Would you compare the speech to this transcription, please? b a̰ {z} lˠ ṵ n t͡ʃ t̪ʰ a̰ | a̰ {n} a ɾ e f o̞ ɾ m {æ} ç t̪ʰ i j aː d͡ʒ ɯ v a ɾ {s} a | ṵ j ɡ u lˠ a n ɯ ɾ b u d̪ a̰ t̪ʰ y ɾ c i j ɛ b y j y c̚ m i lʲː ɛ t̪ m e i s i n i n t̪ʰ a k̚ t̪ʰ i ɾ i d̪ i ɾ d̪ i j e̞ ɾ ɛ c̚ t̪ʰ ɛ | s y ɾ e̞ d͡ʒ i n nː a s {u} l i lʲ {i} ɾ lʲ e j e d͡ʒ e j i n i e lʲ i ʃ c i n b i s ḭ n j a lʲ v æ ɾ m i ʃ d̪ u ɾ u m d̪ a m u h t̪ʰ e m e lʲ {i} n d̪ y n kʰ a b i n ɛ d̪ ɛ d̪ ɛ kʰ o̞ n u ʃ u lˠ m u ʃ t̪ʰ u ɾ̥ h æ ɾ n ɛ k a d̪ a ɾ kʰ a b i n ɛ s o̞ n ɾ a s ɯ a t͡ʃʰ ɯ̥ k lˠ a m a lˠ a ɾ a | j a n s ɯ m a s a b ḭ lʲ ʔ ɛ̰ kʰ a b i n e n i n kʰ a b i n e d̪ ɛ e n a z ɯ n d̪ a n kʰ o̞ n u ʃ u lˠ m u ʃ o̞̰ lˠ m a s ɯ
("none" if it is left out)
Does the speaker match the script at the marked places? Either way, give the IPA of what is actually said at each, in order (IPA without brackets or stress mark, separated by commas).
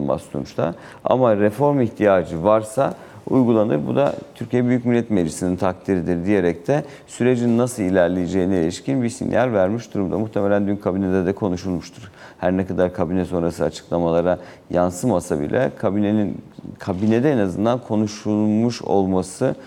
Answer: s, m, i, s, ɯ, æ, æ